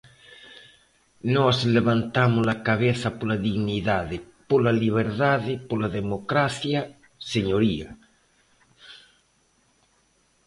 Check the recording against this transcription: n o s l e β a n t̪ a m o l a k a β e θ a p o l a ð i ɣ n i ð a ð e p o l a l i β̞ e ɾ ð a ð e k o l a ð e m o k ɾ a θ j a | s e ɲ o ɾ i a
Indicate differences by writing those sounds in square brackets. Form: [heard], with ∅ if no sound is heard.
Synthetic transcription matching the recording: n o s l e β a n t̪ a m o l a k a β e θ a p o l a ð i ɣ n i ð a ð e p o l a l i β̞ e ɾ ð a ð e [p] o l a ð e m o k ɾ a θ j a | s e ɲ o ɾ i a